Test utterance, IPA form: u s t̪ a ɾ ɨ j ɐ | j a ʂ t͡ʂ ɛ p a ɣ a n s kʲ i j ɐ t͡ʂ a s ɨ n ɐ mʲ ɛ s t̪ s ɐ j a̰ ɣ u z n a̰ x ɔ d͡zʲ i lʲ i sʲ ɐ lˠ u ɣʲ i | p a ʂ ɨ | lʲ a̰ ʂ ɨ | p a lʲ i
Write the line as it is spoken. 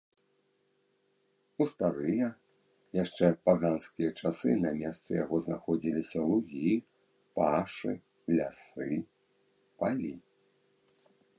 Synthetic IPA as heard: u s t̪ a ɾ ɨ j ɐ | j a ʂ t͡ʂ ɛ p a ɣ a n s kʲ i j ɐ t͡ʂ a s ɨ n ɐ mʲ ɛ s t̪ s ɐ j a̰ ɣ ɔ z n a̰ x ɔ d͡zʲ i lʲ i sʲ ɐ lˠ u ɣʲ i | p a ʂ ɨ | lʲ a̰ s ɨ | p a lʲ i